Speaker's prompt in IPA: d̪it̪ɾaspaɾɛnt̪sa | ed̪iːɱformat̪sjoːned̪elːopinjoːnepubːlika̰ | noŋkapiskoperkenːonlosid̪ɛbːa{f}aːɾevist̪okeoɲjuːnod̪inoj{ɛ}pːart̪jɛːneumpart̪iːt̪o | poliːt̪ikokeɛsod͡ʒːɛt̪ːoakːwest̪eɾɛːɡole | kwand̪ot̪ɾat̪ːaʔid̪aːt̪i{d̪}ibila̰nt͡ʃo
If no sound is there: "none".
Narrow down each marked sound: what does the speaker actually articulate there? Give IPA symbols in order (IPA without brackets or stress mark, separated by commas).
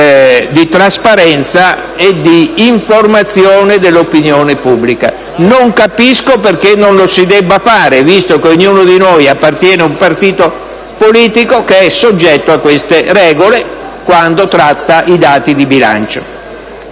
f, a, d̪